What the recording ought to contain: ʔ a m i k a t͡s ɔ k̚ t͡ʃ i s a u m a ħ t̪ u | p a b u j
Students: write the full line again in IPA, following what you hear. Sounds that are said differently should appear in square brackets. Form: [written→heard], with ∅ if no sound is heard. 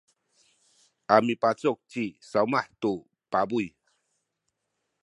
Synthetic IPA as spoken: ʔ a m i [k→p] a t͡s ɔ k̚ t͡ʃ i s a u m a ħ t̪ u | p a b u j

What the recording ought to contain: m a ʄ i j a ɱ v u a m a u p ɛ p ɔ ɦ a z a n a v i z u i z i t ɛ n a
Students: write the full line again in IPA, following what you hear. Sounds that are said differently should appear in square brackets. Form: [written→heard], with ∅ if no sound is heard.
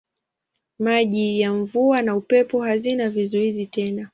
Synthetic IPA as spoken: m a ʄ i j a ɱ v u a [m→n] a u p ɛ p ɔ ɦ a z [a→i] n a v i z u i z i t ɛ n a

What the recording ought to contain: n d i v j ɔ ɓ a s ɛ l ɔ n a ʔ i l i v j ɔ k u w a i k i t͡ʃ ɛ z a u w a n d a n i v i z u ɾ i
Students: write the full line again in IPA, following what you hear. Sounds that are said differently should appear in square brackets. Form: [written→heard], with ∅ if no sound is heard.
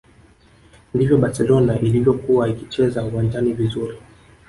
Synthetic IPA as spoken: n d i v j ɔ ɓ a s ɛ l ɔ n a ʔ i l i v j ɔ k u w a i k i t͡ʃ ɛ z a u w a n [d→d͡ʒ] a n i v i z u ɾ i

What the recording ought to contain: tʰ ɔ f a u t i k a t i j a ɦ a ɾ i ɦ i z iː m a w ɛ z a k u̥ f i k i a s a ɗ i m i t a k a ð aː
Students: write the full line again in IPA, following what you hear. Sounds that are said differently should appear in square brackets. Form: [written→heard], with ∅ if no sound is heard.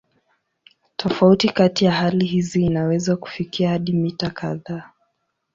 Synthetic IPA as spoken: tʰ ɔ f a u t i k a t i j a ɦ a [ɾ→l] i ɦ i z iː [m→n] a w ɛ z a k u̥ f i k i a [s→h] a ɗ i m i t a k a ð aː

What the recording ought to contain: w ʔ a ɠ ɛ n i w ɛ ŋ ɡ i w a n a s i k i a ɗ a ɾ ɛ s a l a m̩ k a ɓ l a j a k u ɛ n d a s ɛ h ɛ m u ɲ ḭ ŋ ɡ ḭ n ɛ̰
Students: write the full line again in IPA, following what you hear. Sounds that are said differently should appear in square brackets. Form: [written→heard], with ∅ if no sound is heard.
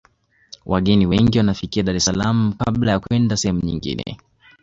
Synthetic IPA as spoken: w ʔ a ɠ ɛ n i w ɛ ŋ ɡ i w a n a [s→f] i k i a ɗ a ɾ ɛ s a l a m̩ k a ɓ l a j a k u ɛ n d a s ɛ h ɛ m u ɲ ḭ ŋ ɡ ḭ n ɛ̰

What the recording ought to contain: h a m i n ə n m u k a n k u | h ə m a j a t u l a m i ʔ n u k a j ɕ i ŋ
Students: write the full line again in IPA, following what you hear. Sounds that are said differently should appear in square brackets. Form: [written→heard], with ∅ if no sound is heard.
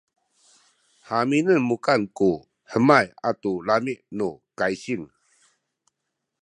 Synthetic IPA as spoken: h a m i n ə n m u k a n k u | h ə m a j a t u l a m i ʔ n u k a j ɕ i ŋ

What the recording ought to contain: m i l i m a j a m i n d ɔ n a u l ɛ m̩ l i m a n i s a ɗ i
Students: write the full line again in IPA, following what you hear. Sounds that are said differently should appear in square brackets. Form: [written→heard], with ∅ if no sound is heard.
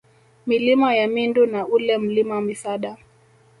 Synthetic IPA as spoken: m i l i m a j a m i n d [ɔ→u] n a u l ɛ m̩ l i m a [n→m] i s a ɗ [i→a]

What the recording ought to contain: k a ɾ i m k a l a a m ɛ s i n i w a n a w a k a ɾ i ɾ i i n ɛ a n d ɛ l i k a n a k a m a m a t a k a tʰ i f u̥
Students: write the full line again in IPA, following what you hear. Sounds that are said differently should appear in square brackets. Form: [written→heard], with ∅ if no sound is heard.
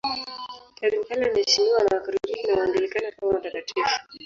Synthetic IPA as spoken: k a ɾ i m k a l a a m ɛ [s→ʃ] i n i w a n a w a k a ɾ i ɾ i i n [ɛ→a] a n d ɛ l i k a n a k a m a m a t a k a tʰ i f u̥

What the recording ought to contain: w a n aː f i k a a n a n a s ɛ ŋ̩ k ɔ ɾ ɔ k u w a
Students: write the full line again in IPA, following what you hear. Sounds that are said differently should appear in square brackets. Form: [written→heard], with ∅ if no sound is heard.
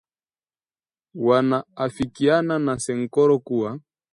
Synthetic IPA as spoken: w a n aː f i k [a→i] a n a n a s ɛ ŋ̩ k ɔ ɾ ɔ k u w a

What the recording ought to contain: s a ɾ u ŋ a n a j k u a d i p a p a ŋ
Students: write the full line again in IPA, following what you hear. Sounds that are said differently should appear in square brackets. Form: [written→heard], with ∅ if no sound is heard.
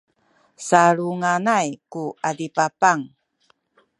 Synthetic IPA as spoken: s a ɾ u ŋ a n a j k u a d i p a p a ŋ

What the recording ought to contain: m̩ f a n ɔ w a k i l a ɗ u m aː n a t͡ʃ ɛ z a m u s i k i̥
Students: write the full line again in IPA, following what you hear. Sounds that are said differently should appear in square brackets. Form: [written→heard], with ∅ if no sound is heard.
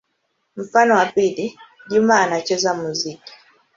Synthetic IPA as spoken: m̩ f a n ɔ w a [k→p] i l [a→i] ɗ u m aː n a t͡ʃ ɛ z a m u [s→z] i k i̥

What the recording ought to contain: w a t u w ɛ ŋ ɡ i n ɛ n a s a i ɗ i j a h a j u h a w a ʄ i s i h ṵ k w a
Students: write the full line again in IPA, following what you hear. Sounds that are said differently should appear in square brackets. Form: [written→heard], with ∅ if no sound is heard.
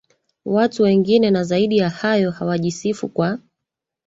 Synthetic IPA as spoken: w a t u w ɛ ŋ ɡ i n ɛ n a [s→z] a i ɗ i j a h a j [u→ɔ] h a w a ʄ i s i [h→f] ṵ k w a

